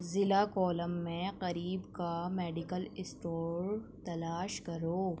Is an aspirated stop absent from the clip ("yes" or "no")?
yes